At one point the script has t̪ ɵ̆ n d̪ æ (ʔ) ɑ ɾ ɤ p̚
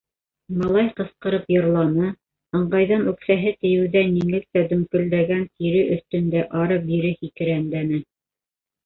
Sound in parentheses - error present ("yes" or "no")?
no